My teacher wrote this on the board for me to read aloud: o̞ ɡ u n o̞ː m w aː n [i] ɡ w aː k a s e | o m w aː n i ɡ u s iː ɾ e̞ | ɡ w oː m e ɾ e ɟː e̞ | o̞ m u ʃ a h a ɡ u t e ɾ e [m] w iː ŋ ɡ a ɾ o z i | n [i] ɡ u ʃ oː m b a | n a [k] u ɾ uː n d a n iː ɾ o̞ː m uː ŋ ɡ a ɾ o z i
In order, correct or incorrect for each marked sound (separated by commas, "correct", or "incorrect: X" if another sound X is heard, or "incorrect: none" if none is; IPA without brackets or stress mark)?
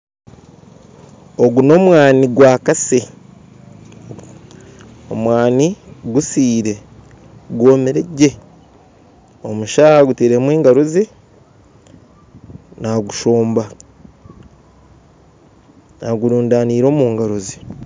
correct, correct, incorrect: a, incorrect: ɡ